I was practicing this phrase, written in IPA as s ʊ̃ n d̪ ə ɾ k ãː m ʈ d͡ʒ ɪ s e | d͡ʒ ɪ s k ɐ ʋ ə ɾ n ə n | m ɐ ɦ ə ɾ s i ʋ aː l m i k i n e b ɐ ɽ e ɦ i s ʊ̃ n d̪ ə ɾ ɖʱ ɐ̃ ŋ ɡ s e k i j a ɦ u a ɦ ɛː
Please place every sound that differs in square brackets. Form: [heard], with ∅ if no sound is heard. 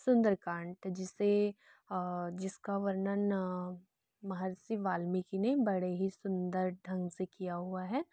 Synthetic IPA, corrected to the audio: s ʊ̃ n d̪ ə ɾ k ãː [ɳ] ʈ d͡ʒ ɪ s e | d͡ʒ ɪ s k [a] ʋ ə ɾ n ə n | m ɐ ɦ ə ɾ s i ʋ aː l m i k i n e b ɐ ɽ e ɦ i s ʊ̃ n d̪ ə ɾ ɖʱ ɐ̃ ŋ ɡ s e k i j a ɦ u a ɦ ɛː